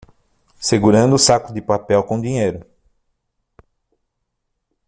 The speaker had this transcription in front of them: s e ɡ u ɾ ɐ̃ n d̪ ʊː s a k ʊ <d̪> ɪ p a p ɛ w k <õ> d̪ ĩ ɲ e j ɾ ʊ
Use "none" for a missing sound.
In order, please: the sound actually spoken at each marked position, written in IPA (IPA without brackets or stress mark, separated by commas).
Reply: d̪, õ